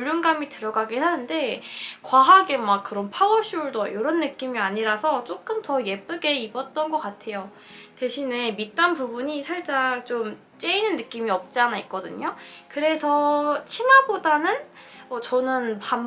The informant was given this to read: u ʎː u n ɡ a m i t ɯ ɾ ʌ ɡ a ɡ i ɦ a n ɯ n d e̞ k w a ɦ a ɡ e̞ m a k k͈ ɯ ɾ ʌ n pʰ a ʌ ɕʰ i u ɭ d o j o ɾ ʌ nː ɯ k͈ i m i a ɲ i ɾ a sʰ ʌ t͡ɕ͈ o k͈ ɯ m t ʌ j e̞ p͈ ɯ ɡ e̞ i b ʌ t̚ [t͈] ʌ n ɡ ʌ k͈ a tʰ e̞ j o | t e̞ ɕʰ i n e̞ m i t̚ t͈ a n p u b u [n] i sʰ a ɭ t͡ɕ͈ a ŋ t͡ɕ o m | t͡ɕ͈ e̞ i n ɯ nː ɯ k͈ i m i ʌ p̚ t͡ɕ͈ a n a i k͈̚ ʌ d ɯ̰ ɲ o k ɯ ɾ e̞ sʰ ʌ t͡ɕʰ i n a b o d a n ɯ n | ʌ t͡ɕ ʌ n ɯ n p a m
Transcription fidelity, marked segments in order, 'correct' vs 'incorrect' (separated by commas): correct, incorrect